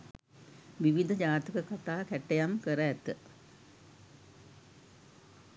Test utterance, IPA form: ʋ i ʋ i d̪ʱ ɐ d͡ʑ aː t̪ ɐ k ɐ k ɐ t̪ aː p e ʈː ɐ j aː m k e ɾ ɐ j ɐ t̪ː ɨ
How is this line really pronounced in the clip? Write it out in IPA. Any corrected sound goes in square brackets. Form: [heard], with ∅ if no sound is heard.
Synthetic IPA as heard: ʋ i ʋ i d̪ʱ ɐ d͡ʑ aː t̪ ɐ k ɐ k ɐ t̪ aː [k] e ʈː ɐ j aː m k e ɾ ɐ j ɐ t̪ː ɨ